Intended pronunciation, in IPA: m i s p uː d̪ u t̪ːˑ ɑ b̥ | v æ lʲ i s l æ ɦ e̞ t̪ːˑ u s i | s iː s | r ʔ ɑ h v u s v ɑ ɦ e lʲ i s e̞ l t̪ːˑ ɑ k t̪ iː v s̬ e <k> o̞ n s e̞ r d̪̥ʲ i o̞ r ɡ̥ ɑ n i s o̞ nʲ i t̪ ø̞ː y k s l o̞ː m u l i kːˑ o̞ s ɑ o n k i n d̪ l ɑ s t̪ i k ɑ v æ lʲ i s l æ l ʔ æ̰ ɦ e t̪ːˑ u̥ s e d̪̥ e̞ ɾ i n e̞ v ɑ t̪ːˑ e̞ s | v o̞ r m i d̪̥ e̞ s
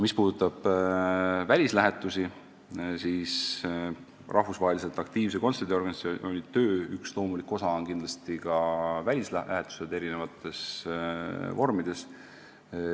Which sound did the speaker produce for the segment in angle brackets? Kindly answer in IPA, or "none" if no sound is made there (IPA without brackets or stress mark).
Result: k